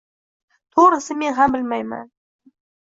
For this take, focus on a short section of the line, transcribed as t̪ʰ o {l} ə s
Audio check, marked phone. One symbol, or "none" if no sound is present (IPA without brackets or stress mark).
ɾ